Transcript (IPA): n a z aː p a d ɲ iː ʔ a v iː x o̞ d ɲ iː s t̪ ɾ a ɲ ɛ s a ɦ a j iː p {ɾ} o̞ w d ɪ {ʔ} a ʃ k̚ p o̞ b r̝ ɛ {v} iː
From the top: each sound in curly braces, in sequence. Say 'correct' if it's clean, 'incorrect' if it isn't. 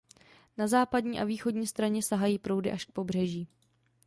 correct, correct, incorrect

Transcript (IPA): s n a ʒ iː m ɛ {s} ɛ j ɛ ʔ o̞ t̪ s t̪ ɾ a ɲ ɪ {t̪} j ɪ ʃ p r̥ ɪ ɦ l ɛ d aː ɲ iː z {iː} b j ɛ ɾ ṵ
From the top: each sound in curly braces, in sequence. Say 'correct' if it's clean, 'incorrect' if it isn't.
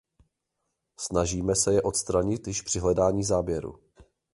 correct, correct, incorrect

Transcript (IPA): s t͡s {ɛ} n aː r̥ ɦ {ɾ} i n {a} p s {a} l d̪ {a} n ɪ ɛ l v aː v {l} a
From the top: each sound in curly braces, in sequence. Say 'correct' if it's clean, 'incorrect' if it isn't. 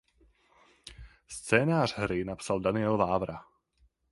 incorrect, correct, correct, correct, correct, incorrect

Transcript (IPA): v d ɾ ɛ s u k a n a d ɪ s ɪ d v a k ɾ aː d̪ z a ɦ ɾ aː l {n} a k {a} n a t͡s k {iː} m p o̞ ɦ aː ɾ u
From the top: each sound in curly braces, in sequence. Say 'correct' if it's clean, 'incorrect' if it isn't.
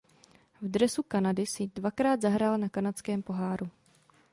correct, correct, incorrect

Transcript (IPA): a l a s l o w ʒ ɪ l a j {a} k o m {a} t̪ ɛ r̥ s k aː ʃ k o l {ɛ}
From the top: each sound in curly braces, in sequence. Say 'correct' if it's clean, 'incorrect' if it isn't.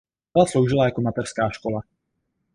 correct, correct, incorrect

